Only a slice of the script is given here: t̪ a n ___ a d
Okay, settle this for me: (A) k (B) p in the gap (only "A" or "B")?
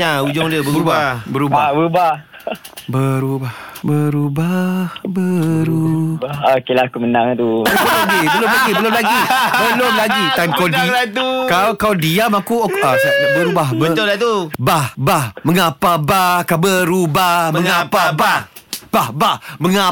A